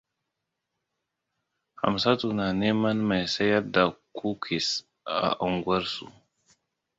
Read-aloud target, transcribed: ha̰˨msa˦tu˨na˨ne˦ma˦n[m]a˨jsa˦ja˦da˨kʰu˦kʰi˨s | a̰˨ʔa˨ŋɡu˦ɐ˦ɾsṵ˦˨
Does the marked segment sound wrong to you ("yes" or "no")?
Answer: no